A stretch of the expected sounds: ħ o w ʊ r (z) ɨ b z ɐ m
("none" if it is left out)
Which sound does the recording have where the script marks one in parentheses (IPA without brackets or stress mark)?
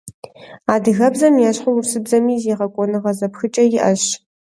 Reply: s